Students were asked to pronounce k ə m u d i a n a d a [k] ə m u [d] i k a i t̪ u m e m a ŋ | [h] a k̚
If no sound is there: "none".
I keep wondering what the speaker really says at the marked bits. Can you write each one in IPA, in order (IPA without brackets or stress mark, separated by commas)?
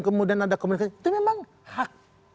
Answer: k, n, h